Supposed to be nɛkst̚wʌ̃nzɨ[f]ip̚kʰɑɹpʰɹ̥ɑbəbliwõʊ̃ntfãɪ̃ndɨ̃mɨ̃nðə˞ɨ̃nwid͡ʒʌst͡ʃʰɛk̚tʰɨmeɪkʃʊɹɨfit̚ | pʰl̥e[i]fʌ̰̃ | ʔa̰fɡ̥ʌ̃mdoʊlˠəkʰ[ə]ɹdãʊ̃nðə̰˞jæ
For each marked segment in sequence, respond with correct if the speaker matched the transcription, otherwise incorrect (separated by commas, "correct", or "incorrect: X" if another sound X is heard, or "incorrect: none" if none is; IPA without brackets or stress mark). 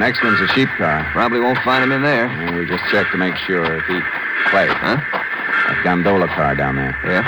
incorrect: ʃ, incorrect: ɪ, incorrect: ɑ